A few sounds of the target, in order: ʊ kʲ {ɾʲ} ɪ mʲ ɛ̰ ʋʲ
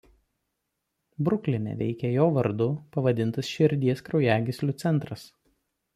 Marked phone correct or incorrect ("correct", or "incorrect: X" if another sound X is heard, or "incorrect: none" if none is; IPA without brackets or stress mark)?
incorrect: lʲ